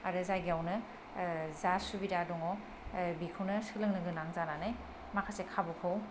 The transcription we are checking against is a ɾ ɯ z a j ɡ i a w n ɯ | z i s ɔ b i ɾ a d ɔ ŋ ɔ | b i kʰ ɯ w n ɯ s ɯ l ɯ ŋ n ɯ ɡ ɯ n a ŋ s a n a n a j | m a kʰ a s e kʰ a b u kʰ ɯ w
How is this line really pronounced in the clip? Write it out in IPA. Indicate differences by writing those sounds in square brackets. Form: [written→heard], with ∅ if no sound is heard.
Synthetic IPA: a ɾ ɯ z a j ɡ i a w n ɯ | z [i→a] s [ɔ→u] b i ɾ a d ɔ ŋ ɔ | b i kʰ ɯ w n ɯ s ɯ l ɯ ŋ n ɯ ɡ ɯ n a ŋ [s→z] a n a n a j | m a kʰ a s e kʰ a b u kʰ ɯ w

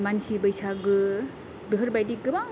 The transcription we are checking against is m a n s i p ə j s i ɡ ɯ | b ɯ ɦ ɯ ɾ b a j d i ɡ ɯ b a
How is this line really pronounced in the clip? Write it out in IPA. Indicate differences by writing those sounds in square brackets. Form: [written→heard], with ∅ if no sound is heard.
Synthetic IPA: m a n s i [p→b] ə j s [i→a] ɡ ɯ | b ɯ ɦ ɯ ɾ b a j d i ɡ ɯ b a

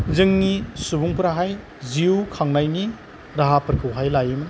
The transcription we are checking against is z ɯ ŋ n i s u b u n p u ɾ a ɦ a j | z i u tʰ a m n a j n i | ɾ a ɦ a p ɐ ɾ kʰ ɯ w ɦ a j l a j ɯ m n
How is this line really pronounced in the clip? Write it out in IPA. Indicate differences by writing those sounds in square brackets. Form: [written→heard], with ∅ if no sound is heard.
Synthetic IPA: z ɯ ŋ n i s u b u [n→ŋ] p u ɾ a ɦ a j | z i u [tʰ→kʰ] a [m→ŋ] n a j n i | ɾ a ɦ a p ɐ ɾ kʰ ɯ w ɦ a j l a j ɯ m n

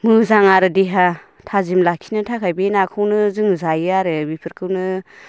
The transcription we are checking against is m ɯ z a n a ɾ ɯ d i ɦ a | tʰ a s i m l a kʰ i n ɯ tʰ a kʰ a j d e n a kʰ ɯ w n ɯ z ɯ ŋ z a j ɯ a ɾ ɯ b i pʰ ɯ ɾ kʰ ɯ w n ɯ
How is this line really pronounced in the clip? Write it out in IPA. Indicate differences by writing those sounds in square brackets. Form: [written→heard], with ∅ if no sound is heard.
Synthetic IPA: m ɯ z a [n→ŋ] a ɾ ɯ d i ɦ a | tʰ a [s→z] i m l a kʰ i n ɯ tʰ a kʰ a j [d→b] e n a kʰ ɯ w n ɯ z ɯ ŋ z a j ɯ a ɾ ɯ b i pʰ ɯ ɾ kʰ ɯ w n ɯ

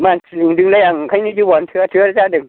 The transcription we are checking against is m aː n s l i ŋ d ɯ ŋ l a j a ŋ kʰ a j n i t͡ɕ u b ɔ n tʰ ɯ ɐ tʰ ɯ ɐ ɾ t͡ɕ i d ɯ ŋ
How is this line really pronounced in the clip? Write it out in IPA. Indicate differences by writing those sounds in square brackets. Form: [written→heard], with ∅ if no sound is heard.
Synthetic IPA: m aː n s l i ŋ d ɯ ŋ l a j a ŋ kʰ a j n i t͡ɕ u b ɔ n tʰ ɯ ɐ tʰ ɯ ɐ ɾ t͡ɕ [i→a] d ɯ ŋ

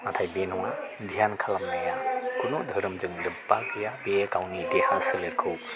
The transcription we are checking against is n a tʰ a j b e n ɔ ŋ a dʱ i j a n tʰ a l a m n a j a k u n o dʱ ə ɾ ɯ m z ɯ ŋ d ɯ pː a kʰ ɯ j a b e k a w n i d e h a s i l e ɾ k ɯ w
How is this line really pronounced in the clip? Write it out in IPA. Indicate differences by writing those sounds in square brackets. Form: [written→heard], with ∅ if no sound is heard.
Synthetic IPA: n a tʰ a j b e n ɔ ŋ a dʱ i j a n [tʰ→kʰ] a l a m n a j a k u n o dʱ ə ɾ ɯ m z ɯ ŋ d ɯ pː a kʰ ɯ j a b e k a w n i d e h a s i l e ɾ [k→kʰ] ɯ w

